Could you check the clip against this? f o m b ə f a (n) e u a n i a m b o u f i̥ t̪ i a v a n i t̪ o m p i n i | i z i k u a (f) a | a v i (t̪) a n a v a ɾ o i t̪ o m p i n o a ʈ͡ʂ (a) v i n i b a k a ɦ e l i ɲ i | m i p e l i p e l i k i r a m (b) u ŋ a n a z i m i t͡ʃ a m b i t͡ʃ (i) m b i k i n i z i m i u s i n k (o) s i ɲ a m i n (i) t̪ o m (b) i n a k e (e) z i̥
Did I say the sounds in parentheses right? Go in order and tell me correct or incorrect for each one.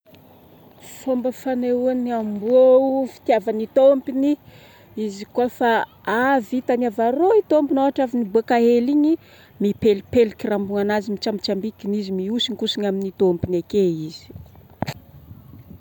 correct, correct, correct, correct, correct, incorrect: a, incorrect: u, correct, incorrect: p, incorrect: i

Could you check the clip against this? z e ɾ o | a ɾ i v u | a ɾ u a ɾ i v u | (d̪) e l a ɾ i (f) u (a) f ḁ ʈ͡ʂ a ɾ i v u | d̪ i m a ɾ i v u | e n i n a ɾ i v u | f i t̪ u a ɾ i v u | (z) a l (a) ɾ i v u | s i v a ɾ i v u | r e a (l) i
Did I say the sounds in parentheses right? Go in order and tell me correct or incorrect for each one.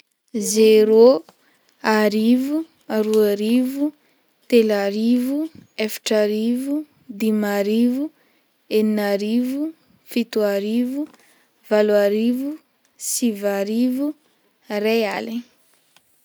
incorrect: t̪, incorrect: v, incorrect: e, incorrect: v, correct, correct

